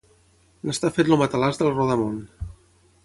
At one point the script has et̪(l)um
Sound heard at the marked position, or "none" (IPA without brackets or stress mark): l